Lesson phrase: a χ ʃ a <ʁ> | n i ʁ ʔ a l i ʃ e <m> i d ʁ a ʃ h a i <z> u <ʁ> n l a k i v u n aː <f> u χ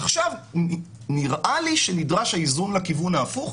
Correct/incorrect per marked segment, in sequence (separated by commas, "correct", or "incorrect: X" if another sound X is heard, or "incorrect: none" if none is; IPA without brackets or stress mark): incorrect: v, incorrect: n, correct, incorrect: none, correct